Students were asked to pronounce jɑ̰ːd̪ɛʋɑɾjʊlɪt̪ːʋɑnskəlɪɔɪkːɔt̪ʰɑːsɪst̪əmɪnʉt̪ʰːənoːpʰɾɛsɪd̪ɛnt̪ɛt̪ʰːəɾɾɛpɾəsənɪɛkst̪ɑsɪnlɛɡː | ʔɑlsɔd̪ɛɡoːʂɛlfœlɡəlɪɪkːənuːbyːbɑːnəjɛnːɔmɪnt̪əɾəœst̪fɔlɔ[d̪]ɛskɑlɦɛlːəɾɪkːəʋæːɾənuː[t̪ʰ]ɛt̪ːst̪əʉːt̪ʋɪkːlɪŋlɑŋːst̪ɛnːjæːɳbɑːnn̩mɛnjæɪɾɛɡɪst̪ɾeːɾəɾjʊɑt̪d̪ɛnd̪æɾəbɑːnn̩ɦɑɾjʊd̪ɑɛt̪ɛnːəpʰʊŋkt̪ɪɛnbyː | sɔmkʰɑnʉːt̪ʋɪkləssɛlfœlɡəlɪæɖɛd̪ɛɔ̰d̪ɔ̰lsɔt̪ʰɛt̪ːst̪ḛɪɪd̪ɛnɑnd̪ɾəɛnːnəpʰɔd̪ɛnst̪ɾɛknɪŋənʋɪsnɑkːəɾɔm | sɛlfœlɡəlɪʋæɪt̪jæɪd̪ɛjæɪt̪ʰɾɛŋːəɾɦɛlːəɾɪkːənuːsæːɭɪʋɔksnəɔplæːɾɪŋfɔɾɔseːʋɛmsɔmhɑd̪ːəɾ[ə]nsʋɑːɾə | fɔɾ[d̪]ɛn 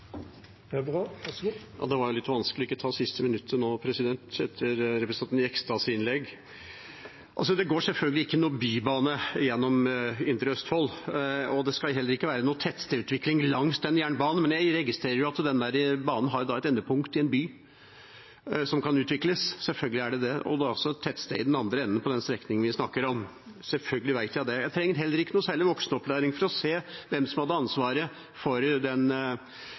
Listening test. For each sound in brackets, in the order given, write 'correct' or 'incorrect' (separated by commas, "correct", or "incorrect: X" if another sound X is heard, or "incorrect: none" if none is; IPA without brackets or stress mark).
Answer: correct, correct, incorrect: ɑ, correct